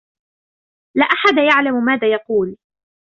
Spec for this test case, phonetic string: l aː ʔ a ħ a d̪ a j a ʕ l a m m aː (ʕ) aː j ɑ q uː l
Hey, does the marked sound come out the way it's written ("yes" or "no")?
no